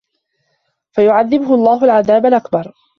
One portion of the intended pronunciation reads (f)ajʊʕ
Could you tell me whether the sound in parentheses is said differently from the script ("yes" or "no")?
no